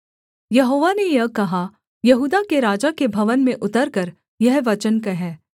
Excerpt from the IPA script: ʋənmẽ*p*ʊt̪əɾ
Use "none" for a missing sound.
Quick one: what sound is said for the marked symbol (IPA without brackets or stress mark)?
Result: ʔ